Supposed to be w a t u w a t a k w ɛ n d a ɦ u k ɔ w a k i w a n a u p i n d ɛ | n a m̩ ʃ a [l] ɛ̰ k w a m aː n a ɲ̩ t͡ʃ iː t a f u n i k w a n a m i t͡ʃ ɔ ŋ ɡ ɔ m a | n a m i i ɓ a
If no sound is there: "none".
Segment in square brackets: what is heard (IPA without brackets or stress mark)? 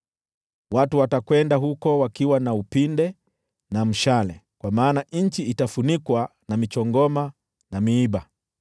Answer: l